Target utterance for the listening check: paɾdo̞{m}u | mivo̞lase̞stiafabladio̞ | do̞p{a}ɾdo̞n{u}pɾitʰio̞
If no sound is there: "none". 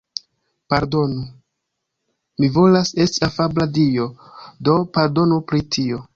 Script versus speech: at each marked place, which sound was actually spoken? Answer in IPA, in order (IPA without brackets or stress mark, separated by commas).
n, a, u